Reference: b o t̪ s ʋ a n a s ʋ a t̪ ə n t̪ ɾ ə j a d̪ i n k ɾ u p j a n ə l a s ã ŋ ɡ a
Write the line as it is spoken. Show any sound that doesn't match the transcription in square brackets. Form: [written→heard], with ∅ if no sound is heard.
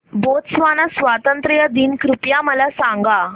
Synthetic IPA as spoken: b o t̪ s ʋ a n a s ʋ a t̪ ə n t̪ ɾ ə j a d̪ i n k ɾ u p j a [n→m] ə l a s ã ŋ ɡ a